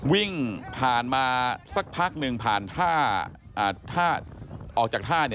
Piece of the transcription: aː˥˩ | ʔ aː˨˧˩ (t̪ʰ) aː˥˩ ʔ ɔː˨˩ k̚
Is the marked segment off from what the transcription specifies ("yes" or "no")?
no